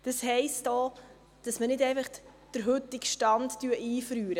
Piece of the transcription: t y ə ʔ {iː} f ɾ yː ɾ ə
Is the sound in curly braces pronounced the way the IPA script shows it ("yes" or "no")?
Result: yes